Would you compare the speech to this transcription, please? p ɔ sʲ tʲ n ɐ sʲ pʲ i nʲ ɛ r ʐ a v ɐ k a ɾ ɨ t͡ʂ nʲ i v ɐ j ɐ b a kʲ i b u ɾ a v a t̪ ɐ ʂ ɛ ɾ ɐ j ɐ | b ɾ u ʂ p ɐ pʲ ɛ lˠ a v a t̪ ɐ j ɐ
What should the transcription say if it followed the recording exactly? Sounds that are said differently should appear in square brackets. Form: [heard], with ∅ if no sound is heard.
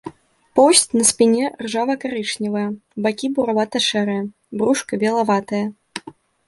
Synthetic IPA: p ɔ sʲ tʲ n ɐ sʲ pʲ i nʲ ɛ r ʐ a v ɐ k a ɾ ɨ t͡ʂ nʲ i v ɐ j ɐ b a kʲ i b u ɾ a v a t̪ ɐ ʂ ɛ ɾ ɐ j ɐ | b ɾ u ʂ [k] ɐ [bʲ] ɛ lˠ a v a t̪ ɐ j ɐ